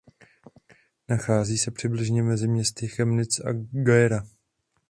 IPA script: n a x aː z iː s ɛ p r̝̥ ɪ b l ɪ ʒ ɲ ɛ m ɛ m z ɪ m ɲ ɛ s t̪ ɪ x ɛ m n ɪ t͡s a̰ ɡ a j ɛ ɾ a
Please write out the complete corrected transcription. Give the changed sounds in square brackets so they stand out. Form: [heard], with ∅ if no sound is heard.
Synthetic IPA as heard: n a x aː z iː s ɛ p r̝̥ ɪ b l ɪ ʒ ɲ ɛ m ɛ [∅] z ɪ m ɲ ɛ s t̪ ɪ x ɛ m n ɪ t͡s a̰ ɡ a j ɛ ɾ a